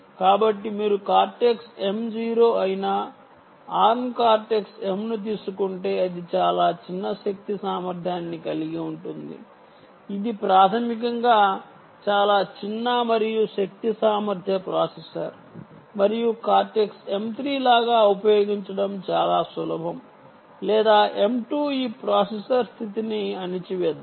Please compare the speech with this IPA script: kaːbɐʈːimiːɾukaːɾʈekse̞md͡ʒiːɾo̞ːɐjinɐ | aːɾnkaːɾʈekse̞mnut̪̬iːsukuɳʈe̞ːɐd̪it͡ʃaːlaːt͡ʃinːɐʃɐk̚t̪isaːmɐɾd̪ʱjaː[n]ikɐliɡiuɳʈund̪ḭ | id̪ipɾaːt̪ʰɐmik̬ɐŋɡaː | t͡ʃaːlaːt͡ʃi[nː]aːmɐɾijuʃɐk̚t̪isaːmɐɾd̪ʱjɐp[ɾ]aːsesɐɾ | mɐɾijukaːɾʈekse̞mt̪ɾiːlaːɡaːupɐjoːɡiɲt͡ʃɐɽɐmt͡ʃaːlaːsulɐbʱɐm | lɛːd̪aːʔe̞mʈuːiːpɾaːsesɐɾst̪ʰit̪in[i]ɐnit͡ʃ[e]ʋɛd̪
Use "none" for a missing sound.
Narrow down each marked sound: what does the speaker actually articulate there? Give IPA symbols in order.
nː, nː, ɾ, i, i

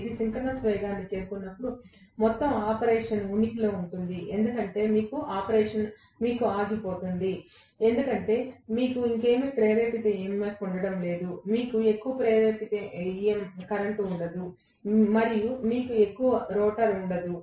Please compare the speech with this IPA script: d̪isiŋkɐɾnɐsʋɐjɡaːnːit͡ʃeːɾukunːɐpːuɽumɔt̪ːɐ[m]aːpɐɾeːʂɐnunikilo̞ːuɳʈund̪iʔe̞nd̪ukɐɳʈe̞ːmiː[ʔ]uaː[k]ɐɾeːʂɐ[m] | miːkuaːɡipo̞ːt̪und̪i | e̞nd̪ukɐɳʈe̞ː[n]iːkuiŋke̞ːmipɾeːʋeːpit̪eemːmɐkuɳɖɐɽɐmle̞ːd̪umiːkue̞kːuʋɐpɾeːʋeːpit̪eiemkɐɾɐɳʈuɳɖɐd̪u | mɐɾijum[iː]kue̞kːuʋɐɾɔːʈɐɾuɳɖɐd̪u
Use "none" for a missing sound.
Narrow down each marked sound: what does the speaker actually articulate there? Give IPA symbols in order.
m, k, p, n, m, iː

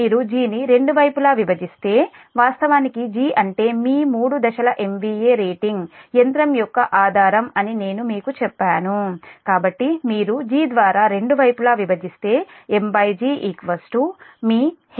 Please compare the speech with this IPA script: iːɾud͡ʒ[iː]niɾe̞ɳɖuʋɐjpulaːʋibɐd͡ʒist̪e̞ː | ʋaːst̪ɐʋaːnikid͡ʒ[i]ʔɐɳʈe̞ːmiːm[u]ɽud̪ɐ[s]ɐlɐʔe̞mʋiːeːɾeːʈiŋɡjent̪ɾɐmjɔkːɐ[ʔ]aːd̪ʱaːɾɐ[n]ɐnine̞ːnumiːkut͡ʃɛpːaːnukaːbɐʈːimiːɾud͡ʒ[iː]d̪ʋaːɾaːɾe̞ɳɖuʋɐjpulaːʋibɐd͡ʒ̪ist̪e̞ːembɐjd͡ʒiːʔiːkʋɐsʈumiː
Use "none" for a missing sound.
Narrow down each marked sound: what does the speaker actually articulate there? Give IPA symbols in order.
iː, iː, uː, ʃ, ʔ, m, iː

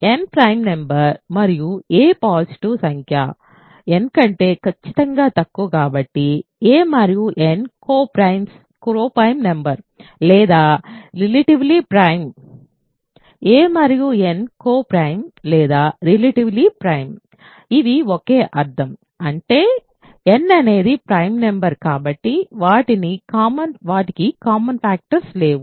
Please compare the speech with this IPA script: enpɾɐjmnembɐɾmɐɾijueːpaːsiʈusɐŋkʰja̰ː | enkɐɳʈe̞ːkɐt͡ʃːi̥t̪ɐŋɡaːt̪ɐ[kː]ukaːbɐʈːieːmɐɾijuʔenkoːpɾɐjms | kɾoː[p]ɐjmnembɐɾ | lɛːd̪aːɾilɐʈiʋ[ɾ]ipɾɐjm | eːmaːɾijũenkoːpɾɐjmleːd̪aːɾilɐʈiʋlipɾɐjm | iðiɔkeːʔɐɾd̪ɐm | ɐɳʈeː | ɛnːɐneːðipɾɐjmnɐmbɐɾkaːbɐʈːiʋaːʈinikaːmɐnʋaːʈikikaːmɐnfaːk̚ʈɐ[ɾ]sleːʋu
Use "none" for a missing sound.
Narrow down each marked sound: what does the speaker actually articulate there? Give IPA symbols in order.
kː, p, l, ɾ

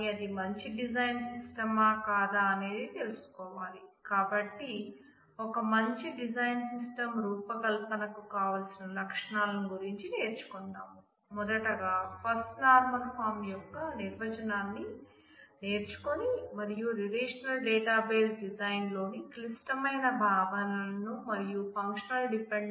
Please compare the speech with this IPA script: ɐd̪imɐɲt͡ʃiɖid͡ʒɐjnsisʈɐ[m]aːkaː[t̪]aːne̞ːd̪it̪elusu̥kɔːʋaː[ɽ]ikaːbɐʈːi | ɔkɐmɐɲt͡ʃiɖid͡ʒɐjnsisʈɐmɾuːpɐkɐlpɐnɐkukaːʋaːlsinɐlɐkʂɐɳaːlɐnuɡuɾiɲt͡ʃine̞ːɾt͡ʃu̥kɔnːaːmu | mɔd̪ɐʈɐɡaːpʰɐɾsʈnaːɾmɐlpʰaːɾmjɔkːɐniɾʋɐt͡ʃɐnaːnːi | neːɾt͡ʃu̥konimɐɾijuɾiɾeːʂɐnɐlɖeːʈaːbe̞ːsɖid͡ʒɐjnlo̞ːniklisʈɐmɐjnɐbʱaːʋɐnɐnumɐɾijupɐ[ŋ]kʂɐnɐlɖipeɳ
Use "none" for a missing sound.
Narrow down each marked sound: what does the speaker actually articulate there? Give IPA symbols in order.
m, d̪, l, ŋ

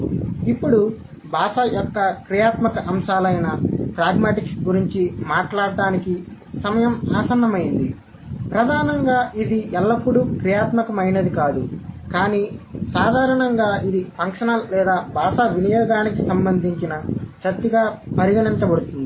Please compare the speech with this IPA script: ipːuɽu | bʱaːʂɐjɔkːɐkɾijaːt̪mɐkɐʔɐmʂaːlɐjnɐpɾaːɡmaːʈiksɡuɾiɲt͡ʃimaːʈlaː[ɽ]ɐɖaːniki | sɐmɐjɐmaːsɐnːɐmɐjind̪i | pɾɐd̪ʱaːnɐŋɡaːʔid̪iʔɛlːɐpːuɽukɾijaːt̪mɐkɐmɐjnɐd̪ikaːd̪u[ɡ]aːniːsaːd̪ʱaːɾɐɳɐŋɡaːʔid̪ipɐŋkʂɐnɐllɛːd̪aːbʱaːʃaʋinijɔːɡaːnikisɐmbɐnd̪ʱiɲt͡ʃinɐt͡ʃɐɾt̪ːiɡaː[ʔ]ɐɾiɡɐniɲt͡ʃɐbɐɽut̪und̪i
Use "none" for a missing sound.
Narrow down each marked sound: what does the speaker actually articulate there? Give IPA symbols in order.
ɽ, k, p

